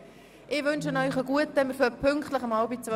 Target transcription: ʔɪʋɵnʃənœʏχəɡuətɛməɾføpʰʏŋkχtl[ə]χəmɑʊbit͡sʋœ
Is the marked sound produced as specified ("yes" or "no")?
yes